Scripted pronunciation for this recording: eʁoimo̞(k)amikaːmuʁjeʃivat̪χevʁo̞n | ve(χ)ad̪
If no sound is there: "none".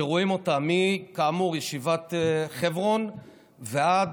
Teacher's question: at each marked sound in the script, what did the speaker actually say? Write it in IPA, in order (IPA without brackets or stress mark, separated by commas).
t, none